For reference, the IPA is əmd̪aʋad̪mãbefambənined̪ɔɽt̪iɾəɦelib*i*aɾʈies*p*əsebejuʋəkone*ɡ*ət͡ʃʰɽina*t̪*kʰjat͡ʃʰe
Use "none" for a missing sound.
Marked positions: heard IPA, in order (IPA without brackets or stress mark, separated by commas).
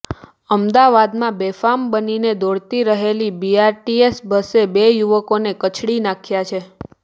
i, b, k, none